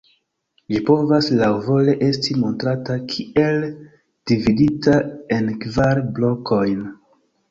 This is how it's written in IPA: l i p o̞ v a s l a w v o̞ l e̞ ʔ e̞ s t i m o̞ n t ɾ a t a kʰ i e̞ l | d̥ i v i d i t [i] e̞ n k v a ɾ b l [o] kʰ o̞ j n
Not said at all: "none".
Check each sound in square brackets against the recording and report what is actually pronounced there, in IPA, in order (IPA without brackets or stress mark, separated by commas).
a, o